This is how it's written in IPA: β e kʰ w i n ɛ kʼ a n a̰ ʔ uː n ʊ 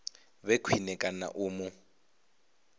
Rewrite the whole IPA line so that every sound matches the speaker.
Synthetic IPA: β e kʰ w i n ɛ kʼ a n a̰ ʔ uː m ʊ